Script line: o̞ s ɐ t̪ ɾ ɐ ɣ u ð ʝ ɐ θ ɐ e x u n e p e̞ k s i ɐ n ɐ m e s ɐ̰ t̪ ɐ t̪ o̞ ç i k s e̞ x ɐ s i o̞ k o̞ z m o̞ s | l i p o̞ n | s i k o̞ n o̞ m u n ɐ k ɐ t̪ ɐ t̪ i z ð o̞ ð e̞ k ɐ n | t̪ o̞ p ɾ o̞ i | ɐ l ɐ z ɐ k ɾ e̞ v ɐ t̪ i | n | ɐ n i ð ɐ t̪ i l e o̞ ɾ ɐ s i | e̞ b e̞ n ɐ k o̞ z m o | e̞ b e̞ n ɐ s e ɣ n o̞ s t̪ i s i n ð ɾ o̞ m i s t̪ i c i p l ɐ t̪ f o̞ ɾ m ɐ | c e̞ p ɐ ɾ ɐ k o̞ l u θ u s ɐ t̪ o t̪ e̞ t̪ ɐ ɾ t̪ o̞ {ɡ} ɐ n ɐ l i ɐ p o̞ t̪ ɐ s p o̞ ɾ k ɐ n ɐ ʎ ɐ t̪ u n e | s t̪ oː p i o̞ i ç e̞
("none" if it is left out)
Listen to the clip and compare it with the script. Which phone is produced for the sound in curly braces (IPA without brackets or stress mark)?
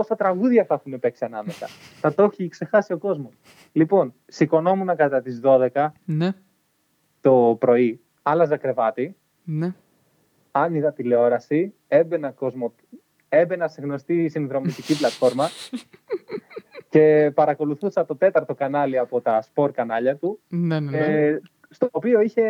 k